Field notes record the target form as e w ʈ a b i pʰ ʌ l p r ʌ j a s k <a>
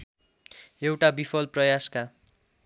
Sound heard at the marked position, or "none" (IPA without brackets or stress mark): a